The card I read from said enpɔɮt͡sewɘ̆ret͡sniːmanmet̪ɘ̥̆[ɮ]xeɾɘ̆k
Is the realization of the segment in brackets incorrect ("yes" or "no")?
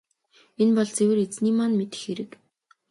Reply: yes